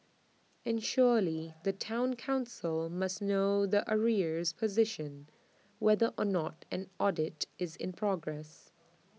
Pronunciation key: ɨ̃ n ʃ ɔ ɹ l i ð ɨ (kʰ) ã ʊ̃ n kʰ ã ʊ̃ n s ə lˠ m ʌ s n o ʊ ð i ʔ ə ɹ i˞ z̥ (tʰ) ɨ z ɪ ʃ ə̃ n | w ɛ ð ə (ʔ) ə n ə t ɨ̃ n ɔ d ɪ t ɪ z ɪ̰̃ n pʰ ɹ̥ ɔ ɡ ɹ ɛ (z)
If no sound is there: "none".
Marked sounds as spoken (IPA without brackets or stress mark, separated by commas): tʰ, pʰ, ʔ, s